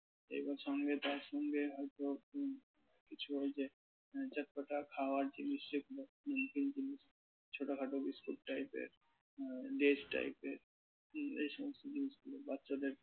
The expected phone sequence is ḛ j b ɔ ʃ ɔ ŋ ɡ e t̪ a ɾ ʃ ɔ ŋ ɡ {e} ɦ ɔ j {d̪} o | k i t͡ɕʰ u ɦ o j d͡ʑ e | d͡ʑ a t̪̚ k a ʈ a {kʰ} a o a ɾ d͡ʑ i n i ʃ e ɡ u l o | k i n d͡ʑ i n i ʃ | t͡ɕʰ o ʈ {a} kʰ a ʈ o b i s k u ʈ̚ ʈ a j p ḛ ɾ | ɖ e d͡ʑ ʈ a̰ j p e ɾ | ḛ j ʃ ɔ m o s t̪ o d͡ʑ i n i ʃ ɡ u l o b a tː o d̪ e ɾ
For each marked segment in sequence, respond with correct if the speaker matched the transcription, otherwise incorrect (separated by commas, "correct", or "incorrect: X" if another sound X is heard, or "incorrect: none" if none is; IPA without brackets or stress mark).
correct, incorrect: t̪, correct, correct